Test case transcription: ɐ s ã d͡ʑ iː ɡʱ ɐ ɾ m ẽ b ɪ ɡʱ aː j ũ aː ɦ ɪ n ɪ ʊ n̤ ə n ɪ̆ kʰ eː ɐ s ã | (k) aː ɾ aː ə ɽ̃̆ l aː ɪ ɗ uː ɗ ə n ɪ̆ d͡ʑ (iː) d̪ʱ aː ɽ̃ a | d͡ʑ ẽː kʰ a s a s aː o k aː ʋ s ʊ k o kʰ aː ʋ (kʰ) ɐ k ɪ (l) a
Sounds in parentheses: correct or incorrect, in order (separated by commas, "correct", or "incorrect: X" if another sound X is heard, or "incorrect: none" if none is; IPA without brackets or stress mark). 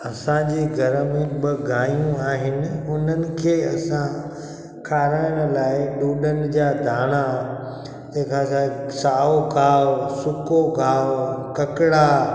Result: incorrect: kʰ, incorrect: aː, incorrect: k, incorrect: ɽ